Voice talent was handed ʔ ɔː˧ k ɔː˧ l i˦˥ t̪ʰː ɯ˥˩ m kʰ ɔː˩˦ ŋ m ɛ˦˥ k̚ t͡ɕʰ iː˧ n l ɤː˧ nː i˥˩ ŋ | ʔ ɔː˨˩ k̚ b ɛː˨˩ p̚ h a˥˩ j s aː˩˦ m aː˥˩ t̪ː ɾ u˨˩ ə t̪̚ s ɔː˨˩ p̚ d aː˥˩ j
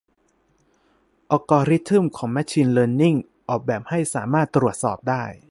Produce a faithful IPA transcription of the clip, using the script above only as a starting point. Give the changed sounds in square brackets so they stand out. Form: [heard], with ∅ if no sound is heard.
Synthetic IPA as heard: ʔ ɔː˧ k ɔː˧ [ɾ] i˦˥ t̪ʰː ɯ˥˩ m kʰ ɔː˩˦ ŋ m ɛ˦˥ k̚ t͡ɕʰ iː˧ n l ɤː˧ nː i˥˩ ŋ | ʔ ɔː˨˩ k̚ b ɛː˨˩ p̚ h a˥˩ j s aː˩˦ m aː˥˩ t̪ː ɾ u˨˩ ə t̪̚ s ɔː˨˩ p̚ d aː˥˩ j